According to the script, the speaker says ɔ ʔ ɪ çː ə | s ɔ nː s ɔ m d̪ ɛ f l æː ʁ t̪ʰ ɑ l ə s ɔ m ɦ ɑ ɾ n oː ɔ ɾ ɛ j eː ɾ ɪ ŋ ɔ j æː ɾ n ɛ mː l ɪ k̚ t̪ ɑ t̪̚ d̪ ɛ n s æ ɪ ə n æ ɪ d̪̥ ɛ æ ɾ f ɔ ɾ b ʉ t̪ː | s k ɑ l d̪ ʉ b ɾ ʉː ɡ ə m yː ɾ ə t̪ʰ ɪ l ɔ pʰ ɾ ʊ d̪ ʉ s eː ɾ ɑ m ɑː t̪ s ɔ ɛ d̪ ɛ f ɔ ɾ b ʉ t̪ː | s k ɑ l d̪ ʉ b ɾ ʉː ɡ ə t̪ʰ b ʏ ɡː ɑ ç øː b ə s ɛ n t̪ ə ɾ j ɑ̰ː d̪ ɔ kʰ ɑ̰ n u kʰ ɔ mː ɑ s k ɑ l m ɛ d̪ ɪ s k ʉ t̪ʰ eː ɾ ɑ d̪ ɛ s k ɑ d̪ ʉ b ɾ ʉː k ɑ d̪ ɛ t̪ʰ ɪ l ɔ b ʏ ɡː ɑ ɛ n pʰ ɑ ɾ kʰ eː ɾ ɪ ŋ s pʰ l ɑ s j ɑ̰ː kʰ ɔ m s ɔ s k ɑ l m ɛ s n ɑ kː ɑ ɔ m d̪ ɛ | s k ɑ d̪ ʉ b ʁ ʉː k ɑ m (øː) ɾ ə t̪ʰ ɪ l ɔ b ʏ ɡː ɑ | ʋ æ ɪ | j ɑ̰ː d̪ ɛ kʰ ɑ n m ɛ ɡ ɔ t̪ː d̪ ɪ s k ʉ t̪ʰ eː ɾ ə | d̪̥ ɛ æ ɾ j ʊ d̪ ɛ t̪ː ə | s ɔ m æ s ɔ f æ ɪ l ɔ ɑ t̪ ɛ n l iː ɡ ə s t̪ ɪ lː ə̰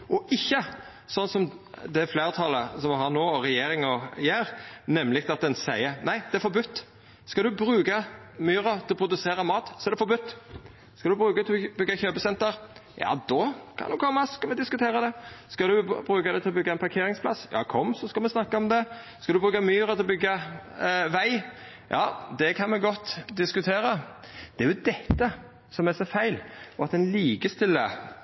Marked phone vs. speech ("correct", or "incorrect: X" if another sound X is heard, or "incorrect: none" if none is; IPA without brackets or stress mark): incorrect: yː